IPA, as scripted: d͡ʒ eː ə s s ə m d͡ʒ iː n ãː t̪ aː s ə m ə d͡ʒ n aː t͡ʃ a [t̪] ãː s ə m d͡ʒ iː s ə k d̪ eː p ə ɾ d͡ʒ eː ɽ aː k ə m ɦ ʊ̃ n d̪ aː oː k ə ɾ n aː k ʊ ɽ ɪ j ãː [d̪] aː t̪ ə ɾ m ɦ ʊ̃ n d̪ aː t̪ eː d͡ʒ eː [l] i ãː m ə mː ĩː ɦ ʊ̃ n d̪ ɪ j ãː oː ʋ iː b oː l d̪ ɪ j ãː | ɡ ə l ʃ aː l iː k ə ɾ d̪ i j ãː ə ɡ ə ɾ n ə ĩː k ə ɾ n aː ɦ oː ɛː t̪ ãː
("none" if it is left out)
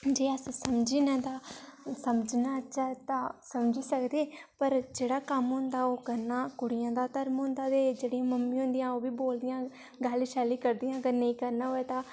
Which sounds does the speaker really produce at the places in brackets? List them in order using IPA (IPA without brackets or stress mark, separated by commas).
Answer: t̪, d̪, ɽ